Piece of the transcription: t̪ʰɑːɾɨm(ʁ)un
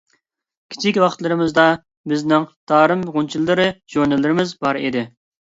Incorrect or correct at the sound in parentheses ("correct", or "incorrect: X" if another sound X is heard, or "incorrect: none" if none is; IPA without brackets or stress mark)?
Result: correct